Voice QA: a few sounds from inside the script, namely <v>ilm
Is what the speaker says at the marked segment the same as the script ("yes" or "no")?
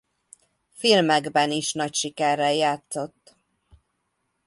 no